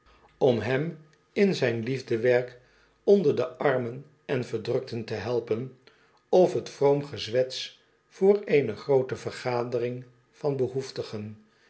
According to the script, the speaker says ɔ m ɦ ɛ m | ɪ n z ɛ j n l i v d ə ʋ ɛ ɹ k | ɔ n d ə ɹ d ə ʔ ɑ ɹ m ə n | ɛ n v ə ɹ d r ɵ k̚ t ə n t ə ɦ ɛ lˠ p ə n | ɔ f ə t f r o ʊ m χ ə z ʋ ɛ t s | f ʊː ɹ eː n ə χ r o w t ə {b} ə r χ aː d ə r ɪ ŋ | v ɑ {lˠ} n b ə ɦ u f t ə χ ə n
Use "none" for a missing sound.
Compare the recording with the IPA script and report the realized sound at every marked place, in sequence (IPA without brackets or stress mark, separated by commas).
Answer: v, none